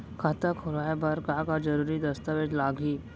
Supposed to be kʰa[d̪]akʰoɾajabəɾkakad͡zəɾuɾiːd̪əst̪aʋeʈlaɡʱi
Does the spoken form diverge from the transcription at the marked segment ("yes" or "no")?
yes